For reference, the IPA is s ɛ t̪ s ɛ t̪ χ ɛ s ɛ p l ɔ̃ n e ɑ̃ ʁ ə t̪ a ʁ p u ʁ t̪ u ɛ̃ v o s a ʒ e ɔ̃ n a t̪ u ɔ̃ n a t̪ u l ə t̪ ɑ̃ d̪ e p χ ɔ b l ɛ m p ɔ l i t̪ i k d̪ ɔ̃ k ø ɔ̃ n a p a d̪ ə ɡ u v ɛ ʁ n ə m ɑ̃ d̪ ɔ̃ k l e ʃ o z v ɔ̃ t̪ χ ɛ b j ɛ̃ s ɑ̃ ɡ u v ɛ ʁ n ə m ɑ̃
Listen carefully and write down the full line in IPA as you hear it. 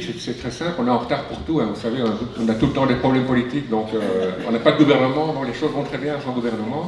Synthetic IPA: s ɛ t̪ s ɛ t̪ χ ɛ s ɛ̃ p l ɔ̃ n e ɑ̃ ʁ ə t̪ a ʁ p u ʁ t̪ u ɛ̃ v u s a v e ɔ̃ n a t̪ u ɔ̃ n a t̪ u l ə t̪ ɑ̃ d̪ e p χ ɔ b l ɛ m p ɔ l i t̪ i k d̪ ɔ̃ k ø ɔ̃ n a p a d̪ ə ɡ u v ɛ ʁ n ə m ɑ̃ d̪ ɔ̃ k l e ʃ o z v ɔ̃ t̪ χ ɛ b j ɛ̃ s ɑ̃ ɡ u v ɛ ʁ n ə m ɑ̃